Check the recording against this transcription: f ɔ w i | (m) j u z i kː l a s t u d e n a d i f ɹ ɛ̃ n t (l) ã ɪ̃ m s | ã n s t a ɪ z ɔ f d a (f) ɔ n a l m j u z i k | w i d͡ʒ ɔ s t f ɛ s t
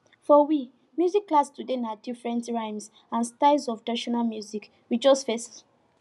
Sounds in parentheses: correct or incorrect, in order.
correct, incorrect, incorrect

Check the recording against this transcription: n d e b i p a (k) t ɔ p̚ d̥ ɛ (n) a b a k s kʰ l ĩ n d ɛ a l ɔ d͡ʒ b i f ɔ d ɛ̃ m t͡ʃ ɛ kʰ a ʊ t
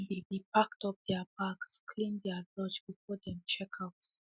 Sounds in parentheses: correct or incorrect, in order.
correct, incorrect

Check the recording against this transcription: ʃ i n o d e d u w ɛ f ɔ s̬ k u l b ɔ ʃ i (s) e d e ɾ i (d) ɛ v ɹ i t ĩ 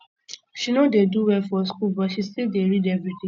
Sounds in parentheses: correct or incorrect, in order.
correct, correct

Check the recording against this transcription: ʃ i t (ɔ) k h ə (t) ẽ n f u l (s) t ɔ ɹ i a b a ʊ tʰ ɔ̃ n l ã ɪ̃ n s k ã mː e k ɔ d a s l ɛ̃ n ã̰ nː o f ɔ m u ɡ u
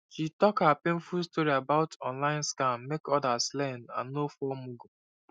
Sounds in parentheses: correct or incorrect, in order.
correct, incorrect, correct

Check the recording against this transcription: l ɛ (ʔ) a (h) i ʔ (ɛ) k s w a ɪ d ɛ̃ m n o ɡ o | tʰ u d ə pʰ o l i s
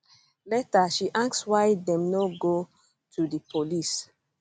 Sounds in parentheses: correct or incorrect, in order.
incorrect, incorrect, incorrect

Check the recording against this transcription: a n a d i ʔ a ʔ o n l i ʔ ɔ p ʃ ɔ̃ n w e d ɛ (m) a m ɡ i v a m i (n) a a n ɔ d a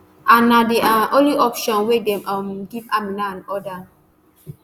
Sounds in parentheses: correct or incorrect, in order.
correct, correct

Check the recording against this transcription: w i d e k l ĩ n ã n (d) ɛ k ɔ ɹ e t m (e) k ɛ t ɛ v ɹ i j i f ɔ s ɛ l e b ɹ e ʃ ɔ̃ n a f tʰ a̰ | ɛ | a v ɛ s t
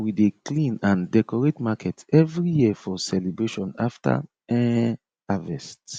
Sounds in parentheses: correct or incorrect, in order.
correct, incorrect

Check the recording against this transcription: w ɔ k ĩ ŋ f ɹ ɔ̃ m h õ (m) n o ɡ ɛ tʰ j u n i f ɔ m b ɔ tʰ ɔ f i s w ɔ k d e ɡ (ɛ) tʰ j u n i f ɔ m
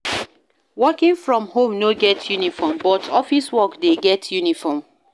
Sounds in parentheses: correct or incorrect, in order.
correct, correct

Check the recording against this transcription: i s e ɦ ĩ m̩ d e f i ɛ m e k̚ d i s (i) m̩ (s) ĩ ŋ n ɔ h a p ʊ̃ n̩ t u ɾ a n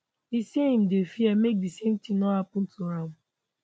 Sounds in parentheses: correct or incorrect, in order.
incorrect, incorrect

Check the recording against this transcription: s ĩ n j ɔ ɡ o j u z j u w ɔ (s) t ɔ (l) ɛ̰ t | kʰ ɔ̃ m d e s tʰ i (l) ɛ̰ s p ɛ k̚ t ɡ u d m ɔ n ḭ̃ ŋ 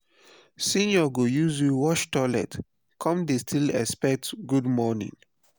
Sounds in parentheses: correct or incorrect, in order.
incorrect, correct, correct

